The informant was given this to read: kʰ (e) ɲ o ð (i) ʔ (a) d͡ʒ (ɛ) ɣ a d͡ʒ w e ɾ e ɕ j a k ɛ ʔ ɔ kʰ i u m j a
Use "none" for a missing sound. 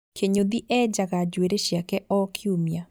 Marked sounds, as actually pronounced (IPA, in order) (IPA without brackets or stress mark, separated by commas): e, i, ɛ, a